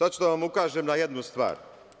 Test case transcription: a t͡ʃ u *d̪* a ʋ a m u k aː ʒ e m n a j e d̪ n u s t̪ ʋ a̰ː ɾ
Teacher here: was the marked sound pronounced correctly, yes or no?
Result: yes